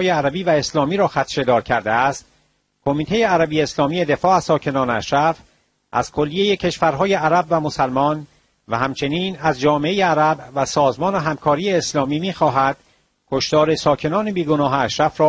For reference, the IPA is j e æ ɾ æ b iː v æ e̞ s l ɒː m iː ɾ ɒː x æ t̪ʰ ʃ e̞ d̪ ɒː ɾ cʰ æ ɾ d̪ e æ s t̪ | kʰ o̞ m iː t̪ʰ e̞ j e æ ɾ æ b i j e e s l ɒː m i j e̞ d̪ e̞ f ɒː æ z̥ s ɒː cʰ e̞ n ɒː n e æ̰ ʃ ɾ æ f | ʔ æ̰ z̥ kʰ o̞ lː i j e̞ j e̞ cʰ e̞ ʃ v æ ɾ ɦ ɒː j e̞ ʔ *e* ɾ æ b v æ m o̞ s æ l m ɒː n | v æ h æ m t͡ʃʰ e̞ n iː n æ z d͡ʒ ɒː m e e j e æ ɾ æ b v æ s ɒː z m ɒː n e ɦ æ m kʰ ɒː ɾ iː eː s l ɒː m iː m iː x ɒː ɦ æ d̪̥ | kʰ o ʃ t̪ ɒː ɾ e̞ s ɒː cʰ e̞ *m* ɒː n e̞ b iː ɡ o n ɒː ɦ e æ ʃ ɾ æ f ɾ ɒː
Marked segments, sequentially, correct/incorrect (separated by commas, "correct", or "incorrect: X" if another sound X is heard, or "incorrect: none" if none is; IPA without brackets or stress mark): incorrect: æ, incorrect: n